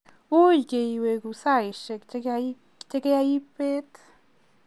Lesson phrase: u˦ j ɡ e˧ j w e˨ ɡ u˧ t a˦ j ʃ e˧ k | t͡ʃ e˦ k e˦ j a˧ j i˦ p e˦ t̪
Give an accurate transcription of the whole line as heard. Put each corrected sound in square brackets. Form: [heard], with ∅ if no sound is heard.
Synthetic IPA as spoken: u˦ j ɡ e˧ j w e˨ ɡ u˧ [s] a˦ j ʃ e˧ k | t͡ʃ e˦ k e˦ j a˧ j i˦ p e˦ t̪